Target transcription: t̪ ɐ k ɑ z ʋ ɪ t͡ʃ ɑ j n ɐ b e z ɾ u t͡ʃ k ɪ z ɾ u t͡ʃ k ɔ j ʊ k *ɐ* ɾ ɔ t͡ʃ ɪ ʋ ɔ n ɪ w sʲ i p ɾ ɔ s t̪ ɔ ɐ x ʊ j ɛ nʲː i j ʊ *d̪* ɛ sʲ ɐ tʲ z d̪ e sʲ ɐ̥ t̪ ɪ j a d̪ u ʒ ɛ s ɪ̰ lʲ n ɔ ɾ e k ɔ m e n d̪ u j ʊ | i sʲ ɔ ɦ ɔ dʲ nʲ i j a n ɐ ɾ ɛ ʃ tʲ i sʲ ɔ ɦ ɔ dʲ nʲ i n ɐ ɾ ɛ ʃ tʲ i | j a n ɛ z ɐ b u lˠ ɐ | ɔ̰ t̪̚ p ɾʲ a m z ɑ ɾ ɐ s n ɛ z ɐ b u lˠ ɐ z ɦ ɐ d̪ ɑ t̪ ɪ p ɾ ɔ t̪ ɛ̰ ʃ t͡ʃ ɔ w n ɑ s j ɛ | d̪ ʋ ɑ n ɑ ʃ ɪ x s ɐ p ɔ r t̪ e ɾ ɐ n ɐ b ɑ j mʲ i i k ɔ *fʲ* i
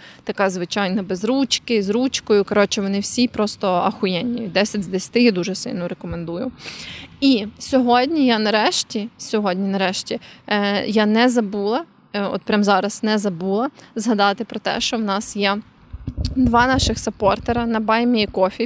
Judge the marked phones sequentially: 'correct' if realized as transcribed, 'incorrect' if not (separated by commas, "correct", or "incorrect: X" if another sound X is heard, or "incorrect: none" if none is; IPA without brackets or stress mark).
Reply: correct, correct, correct